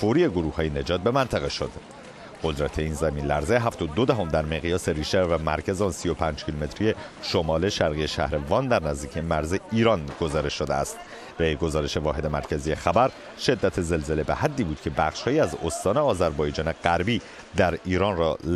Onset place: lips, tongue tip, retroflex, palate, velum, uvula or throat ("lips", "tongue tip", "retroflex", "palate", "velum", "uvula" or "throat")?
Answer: lips